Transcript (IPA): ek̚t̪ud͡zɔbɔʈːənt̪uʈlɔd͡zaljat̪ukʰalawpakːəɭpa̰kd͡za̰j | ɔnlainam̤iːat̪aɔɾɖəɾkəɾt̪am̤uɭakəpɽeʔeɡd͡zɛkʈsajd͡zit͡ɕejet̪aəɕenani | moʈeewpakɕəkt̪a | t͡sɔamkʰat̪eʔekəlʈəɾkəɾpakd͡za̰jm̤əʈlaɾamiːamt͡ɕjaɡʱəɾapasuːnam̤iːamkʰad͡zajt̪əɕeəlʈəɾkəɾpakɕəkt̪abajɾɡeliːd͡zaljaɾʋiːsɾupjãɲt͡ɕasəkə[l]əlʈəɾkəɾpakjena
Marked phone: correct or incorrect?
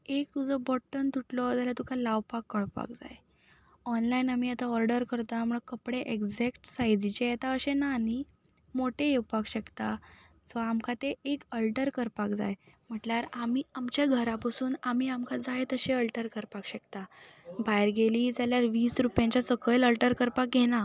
correct